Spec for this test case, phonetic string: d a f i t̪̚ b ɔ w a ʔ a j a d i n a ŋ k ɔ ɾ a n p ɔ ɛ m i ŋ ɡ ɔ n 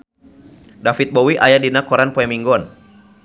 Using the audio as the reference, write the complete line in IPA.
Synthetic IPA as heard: d a f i t̪̚ b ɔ w i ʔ a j a d i n a k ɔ ɾ a n p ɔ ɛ m i ŋ ɡ ɔ n